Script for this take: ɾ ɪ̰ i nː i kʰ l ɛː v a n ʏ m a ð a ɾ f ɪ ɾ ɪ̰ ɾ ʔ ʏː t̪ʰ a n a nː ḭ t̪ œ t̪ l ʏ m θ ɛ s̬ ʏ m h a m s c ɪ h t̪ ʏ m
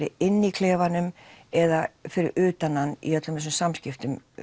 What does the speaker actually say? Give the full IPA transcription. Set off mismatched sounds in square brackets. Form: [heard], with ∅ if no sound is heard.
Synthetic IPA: ɾ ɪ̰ [ɪ] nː i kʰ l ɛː v a n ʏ m [ɛ] ð a [∅] f ɪ ɾ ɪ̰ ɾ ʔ ʏː [t̪] a n a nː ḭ [∅] œ t̪ l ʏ m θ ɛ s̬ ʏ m [s] a m s c ɪ [f] t̪ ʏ m

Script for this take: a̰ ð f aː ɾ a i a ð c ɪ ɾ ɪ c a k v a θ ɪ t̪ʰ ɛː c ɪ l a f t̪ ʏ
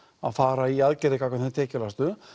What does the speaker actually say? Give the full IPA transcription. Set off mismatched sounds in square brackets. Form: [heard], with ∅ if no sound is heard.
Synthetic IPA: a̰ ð f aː ɾ a i a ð c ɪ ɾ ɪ [k] a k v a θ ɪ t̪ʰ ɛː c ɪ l a [s] t̪ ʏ

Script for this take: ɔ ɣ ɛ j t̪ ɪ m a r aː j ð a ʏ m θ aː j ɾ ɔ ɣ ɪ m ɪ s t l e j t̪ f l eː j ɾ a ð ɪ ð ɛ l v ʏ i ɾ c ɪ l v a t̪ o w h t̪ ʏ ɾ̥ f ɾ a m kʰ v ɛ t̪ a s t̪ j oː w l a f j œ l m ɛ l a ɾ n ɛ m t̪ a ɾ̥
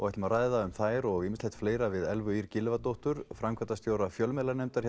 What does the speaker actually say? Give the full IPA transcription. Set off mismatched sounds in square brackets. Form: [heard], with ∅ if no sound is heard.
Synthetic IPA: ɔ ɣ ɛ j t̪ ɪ m a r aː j ð a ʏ m θ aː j ɾ ɔ ɣ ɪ m ɪ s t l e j t̪ f l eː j ɾ a [v] ɪ ð ɛ l v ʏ i ɾ c ɪ l v a t̪ o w h t̪ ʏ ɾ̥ f ɾ a m kʰ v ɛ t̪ a s t̪ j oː w [ɾ] a f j œ l m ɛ l a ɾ n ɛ m t̪ a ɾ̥

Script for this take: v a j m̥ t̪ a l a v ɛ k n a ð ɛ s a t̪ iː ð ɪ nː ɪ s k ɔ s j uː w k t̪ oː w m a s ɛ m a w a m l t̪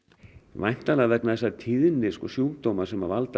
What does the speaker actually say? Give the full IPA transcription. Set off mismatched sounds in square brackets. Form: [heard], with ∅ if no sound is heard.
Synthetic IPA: v a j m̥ t̪ a l a v ɛ k n a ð ɛ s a [t̪ʰ] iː ð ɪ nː ɪ s k ɔ s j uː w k t̪ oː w m a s ɛ m a [v] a [∅] l t̪

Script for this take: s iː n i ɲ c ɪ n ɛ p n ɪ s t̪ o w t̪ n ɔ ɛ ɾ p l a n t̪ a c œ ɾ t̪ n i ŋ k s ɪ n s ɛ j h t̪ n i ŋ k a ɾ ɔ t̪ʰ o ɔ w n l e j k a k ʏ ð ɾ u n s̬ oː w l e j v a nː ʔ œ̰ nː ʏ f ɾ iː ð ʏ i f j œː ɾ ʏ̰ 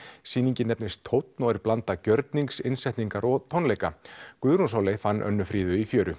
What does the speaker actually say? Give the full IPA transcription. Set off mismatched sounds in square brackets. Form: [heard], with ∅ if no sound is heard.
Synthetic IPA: s iː n i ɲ c ɪ n ɛ p n ɪ s [t̪ʰ] o w t̪ n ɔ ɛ ɾ p l a n t̪ a c œ ɾ t̪ n i ŋ k s ɪ n s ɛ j h t̪ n i ŋ k a ɾ ɔ t̪ʰ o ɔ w n l e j k a k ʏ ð ɾ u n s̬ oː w l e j [f] a nː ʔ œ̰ nː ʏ f ɾ iː ð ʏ i f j œː ɾ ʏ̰

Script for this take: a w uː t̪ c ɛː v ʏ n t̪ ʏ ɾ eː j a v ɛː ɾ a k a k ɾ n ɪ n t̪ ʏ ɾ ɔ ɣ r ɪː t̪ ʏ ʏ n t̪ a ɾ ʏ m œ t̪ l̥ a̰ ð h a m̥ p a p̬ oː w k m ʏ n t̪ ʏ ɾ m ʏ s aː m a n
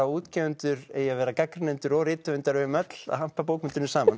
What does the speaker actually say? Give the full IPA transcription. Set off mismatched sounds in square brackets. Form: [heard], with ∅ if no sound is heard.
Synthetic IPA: a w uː t̪ c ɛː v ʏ n t̪ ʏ ɾ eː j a v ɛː ɾ a k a k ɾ n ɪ n t̪ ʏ ɾ ɔ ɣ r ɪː t̪ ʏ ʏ n t̪ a ɾ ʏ m œ t̪ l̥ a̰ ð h a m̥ p a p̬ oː w k m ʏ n t̪ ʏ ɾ [n] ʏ s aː m a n

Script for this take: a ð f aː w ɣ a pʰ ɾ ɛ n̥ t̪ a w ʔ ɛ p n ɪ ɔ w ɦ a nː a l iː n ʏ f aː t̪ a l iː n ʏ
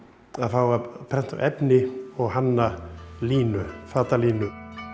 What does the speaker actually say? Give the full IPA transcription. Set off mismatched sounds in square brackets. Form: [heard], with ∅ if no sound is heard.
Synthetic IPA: a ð f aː w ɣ a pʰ ɾ ɛ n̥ t̪ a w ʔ ɛ p n ɪ ɔ [ɣ] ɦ a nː a l iː n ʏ f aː t̪ a l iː n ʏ

